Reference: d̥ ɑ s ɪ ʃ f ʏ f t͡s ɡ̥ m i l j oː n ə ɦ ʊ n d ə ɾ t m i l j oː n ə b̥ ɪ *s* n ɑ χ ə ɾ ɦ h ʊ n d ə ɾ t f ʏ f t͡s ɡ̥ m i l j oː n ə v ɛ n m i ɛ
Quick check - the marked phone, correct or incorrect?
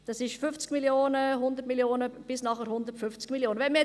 correct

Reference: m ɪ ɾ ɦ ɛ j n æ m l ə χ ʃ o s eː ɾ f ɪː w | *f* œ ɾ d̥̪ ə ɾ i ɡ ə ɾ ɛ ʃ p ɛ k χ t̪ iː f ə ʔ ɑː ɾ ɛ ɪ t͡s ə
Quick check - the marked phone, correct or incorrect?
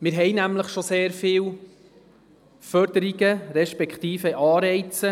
correct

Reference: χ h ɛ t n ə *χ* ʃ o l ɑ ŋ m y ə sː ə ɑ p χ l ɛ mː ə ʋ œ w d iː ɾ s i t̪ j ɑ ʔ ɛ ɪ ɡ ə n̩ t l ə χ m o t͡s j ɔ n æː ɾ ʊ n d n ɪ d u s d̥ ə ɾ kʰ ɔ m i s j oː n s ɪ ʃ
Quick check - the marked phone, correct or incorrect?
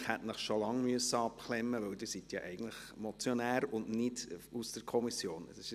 correct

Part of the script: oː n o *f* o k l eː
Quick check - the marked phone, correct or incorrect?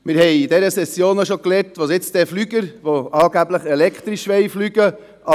incorrect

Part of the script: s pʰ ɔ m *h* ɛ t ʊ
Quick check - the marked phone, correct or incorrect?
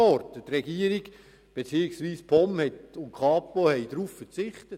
correct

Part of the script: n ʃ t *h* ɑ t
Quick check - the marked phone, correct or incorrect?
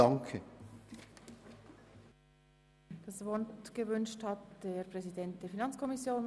correct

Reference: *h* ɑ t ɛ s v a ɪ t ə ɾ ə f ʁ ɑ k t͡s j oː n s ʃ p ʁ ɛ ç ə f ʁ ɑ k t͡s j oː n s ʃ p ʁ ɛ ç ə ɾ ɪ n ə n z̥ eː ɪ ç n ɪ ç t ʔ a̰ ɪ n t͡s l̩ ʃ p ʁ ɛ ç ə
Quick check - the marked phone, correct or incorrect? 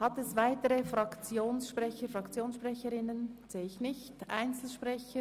correct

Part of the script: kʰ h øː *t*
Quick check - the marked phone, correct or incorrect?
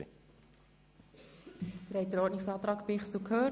incorrect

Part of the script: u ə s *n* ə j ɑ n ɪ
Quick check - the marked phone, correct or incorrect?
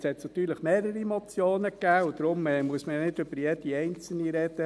incorrect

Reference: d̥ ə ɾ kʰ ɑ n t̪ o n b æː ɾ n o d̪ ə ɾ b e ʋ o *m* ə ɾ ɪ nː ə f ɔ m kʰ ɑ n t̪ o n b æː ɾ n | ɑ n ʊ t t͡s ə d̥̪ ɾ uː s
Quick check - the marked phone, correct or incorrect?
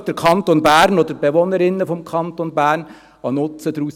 incorrect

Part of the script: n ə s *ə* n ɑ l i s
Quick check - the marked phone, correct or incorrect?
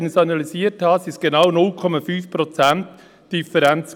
incorrect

